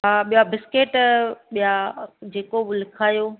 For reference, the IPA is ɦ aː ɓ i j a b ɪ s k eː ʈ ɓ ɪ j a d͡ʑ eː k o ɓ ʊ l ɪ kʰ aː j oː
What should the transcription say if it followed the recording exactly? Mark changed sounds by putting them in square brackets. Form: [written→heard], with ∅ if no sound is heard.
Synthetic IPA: ɦ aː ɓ i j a b ɪ s k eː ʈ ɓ [ɪ→i] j a d͡ʑ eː k o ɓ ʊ l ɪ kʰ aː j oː

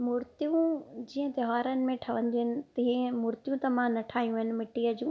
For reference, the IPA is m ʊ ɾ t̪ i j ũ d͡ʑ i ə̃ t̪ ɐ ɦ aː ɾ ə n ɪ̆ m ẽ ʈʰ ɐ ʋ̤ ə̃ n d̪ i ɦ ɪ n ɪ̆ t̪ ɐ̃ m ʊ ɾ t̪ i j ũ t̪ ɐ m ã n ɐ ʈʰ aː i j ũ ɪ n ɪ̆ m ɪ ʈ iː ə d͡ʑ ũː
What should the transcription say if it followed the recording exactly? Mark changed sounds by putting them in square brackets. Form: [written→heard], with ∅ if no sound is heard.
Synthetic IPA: m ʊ ɾ t̪ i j ũ d͡ʑ [i→iː] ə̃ t̪ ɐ ɦ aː ɾ ə n ɪ̆ m ẽ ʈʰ ɐ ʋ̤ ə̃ n d̪ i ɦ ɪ n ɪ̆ t̪ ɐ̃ m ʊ ɾ t̪ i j ũ t̪ ɐ m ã n ɐ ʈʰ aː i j ũ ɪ n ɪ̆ m ɪ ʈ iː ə d͡ʑ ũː

